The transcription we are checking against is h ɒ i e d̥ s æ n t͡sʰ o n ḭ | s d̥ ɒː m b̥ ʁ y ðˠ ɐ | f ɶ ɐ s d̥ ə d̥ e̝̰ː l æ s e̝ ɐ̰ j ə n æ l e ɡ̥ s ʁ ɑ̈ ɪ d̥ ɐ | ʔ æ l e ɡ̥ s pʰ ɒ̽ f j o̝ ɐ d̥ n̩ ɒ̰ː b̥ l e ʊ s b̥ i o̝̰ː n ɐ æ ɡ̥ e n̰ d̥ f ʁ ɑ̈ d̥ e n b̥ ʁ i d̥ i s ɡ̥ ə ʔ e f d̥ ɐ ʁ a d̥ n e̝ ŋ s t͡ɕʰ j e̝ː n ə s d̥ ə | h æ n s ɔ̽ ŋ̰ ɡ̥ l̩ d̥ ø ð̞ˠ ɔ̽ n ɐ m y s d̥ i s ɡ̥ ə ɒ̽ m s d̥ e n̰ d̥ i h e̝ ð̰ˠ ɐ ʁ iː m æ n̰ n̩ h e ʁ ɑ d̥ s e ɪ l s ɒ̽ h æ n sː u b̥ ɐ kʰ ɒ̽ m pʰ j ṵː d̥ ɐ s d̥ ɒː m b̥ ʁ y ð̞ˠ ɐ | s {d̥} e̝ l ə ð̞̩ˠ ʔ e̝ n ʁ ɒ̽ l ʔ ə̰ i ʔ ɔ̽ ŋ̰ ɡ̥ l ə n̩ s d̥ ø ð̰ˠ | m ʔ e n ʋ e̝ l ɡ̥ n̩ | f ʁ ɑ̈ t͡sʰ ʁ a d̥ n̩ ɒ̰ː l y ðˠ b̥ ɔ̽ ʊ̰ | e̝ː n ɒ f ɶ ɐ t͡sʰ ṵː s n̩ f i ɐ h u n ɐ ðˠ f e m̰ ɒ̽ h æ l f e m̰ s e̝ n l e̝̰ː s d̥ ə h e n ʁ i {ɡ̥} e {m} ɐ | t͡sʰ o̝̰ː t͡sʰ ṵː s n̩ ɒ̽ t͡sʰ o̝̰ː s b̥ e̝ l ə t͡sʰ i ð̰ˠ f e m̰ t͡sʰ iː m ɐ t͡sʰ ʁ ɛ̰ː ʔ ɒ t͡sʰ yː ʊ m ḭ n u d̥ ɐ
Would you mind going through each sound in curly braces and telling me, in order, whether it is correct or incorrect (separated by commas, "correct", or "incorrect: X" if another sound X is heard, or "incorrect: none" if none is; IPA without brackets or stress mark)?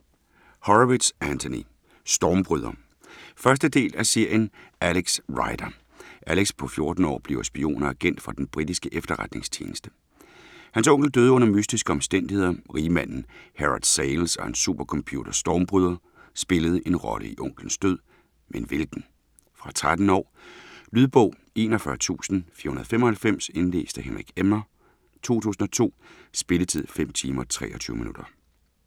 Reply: incorrect: b̥, correct, correct